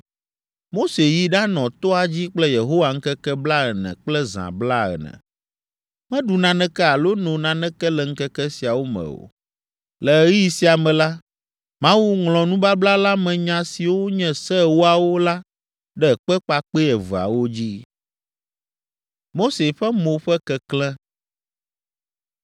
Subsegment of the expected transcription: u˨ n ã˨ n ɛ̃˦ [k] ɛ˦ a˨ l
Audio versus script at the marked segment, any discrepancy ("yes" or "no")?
no